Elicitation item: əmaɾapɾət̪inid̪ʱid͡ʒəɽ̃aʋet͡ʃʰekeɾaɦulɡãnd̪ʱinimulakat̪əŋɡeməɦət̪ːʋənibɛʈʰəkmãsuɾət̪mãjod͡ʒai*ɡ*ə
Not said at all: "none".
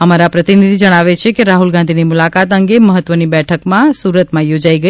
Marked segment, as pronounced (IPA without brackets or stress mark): ɡ